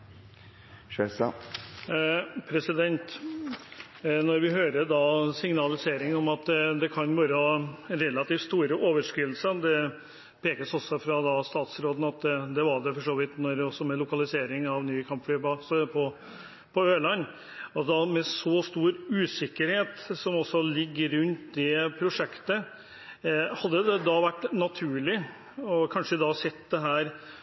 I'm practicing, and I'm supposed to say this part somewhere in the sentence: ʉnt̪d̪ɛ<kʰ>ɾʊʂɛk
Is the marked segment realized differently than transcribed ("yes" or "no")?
yes